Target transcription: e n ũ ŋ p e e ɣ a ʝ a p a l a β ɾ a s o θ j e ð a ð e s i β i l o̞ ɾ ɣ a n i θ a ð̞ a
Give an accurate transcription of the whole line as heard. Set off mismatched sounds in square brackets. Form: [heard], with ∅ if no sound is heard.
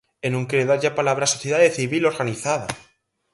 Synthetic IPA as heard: e n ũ ŋ [k] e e [ð] a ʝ a p a l a β ɾ a s o θ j e ð a ð e [θ] i β i l o̞ ɾ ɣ a n i θ a ð̞ a